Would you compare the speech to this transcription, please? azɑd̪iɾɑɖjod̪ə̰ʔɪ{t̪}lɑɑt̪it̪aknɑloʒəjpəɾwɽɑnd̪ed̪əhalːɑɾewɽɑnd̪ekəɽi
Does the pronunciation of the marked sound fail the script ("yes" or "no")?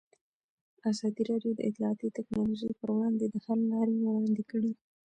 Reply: no